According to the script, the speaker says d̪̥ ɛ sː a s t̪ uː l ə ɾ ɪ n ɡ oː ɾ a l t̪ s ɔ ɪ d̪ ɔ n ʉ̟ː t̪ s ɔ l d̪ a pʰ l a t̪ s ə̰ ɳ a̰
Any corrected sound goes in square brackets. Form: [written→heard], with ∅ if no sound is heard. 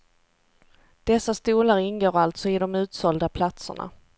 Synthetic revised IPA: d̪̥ ɛ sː a s t̪ uː l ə ɾ ɪ n ɡ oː ɾ a l t̪ s ɔ ɪ d̪ ɔ [n→m] ʉ̟ː t̪ s ɔ l d̪ a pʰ l a t̪ s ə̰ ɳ a̰